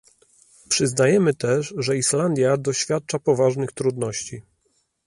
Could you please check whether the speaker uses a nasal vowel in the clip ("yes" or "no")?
no